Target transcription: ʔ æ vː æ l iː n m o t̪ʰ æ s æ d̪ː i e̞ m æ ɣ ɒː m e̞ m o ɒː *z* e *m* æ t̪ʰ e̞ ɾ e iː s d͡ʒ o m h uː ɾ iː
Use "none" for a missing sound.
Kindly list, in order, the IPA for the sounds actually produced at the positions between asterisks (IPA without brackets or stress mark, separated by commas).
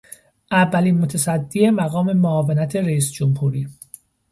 v, n